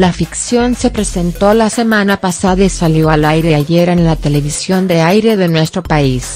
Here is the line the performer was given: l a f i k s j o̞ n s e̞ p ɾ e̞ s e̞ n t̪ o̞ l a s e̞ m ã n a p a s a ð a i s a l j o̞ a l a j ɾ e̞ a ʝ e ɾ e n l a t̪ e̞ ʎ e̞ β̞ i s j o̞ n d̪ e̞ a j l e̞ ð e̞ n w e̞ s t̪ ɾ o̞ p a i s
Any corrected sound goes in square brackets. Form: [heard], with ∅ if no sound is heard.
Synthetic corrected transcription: l a f i k s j o̞ n s e̞ p ɾ e̞ s e̞ n t̪ o̞ l a s e̞ m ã n a p a s a ð a i s a l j o̞ a l a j ɾ e̞ a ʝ e ɾ e n l a t̪ e̞ [l] e̞ β̞ i s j o̞ n d̪ e̞ a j [ɾ] e̞ ð e̞ n w e̞ s t̪ ɾ o̞ p a i s